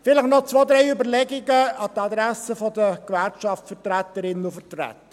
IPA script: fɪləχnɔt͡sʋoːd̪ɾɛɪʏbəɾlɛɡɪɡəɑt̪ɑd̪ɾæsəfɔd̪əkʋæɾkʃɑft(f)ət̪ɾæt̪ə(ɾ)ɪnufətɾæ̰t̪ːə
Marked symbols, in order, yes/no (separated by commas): yes, yes